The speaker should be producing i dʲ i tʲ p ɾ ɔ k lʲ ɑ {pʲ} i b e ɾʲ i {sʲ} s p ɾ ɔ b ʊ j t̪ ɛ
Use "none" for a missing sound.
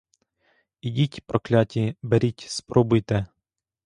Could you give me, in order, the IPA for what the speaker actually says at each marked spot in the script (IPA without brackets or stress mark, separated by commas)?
tʲ, tʲ